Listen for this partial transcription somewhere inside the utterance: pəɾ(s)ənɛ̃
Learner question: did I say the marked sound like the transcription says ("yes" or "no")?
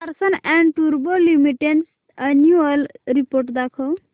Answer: yes